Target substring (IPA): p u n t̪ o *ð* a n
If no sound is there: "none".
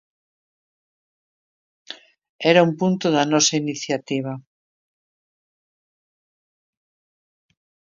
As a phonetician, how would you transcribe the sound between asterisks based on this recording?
ð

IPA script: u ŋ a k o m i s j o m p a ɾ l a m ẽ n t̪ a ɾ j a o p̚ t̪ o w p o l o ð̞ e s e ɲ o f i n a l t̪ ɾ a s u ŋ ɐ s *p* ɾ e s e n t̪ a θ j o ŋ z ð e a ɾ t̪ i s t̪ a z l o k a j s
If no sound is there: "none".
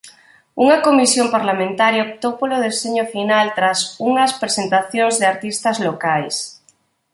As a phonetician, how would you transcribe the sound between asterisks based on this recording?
p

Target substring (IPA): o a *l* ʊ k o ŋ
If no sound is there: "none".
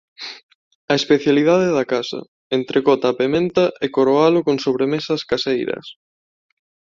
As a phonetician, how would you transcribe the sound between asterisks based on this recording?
l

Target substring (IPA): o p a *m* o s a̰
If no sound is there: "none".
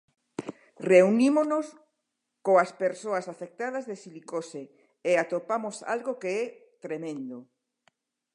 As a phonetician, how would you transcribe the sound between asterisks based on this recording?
m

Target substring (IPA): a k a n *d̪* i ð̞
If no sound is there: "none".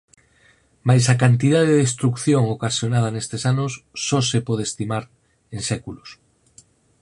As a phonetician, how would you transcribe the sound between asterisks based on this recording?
t̪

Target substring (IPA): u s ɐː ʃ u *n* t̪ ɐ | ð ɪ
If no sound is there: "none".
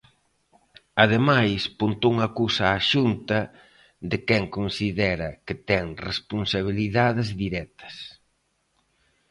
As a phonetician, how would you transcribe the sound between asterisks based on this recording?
n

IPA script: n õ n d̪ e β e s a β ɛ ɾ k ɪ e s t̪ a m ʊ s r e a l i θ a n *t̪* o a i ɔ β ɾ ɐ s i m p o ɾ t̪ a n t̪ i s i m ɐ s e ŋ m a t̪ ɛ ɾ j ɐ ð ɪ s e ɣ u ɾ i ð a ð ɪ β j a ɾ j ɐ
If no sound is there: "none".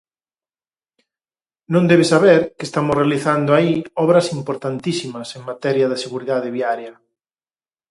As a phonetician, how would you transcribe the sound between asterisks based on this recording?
d̪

